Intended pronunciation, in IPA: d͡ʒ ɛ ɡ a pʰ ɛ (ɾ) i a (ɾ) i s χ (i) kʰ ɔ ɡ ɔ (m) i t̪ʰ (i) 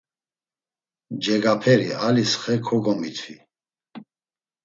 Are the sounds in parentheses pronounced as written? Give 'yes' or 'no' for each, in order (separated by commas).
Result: yes, no, no, yes, yes